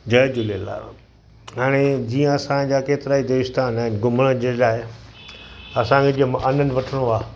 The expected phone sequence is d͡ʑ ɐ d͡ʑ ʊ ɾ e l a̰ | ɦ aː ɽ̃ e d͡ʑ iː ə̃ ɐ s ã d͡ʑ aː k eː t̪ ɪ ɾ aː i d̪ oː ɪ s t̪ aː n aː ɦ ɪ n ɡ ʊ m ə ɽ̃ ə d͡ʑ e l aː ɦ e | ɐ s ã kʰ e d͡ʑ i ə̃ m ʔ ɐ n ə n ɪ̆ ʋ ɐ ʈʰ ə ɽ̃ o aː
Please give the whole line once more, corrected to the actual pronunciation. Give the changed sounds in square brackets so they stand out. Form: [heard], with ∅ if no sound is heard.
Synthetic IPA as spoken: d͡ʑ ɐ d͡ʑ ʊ [l] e l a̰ | ɦ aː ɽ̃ e d͡ʑ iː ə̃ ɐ s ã d͡ʑ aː k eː t̪ ɪ ɾ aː i d̪ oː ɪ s t̪ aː n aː ɦ ɪ n ɡ ʊ m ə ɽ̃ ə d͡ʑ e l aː ɦ e | ɐ s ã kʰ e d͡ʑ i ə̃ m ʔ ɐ n ə n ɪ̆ ʋ ɐ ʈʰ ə ɽ̃ o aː